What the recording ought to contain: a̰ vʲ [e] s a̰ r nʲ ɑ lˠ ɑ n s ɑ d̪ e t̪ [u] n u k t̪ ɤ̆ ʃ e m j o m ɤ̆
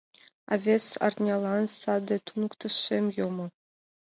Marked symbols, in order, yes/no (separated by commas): yes, yes